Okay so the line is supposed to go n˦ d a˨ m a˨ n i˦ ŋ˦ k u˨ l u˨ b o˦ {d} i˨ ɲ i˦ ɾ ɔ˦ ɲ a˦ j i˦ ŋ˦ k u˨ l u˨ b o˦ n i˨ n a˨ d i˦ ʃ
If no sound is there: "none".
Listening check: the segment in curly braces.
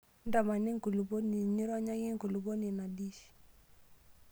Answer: n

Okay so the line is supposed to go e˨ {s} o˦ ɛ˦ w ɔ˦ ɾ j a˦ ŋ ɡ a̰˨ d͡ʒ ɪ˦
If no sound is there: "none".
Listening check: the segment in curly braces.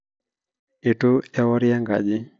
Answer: t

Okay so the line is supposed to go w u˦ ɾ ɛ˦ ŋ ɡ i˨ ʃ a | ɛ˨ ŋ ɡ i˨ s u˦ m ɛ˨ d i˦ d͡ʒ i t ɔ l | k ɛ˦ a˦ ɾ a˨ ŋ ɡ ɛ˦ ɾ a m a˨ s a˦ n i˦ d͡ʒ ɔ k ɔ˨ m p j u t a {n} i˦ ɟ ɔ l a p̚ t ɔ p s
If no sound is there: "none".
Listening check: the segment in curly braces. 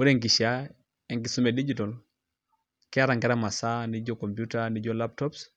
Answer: n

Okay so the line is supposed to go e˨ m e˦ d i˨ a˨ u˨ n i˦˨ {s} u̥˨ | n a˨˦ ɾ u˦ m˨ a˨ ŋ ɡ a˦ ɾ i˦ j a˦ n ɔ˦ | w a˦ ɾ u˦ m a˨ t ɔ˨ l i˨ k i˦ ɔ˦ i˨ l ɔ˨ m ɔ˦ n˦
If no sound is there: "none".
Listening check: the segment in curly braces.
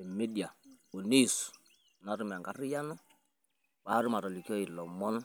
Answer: s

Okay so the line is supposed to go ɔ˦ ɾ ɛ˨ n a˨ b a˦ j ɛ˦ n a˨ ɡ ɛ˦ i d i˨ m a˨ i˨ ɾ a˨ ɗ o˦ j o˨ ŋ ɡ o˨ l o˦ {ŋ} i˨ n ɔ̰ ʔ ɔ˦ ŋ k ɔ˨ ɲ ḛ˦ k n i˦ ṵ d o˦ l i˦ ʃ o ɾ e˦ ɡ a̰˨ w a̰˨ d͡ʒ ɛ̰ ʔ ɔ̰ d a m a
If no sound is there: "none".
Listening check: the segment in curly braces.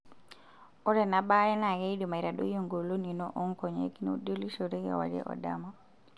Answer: n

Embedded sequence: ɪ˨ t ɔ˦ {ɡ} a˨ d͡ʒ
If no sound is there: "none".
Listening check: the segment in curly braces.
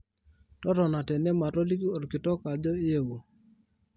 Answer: k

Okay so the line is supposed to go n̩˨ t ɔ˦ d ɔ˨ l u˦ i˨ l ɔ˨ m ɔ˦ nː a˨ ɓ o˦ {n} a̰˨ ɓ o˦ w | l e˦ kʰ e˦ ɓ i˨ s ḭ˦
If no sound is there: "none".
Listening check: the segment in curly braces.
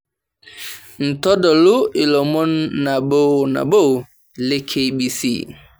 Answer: n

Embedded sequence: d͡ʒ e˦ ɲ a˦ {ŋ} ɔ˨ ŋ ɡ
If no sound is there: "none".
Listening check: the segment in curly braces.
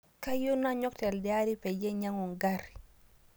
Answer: ŋ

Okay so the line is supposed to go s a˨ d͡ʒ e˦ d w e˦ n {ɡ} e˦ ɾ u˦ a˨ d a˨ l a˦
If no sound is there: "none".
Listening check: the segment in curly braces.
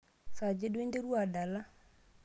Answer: d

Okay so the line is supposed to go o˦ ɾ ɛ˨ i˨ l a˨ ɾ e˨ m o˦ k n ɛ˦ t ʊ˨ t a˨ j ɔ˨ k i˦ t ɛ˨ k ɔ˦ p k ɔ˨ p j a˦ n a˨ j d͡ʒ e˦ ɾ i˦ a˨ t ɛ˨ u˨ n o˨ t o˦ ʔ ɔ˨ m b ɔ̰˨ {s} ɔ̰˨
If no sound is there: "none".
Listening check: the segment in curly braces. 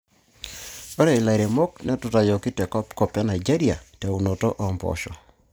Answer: ʃ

